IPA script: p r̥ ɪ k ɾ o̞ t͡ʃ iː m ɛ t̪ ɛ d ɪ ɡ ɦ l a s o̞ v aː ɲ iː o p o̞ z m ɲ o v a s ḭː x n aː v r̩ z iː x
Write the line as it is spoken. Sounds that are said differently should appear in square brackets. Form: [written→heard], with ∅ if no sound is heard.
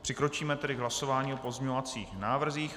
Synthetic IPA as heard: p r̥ ɪ k ɾ o̞ t͡ʃ iː m ɛ t̪ ɛ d ɪ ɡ ɦ l a s o̞ v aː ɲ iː o p o̞ z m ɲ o v a [s→t͡s] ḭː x n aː v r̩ z iː x